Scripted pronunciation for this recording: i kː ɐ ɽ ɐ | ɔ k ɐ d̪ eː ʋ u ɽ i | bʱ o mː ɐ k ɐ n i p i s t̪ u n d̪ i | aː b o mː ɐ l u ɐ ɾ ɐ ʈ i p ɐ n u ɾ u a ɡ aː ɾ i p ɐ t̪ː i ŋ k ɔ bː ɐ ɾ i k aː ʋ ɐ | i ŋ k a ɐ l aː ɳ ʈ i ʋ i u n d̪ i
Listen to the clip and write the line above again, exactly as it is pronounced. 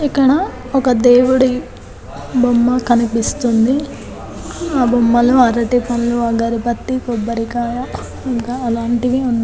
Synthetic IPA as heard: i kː ɐ ɽ ɐ | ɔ k ɐ d̪ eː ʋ u ɽ i | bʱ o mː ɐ k ɐ n i p i s t̪ u n d̪ i | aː b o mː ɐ l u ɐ ɾ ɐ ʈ i p ɐ n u l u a ɡ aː ɾ i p ɐ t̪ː i k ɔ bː ɐ ɾ i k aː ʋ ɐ | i ŋ k a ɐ l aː ɳ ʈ i ʋ i u n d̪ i